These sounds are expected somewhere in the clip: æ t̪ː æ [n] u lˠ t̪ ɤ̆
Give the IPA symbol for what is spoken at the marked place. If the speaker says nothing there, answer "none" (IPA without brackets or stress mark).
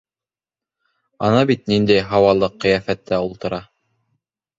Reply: none